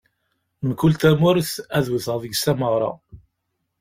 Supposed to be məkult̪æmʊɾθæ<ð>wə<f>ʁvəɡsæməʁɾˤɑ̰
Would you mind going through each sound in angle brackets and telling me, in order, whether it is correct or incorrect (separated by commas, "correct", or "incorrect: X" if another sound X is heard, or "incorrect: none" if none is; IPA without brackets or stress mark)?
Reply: correct, incorrect: θ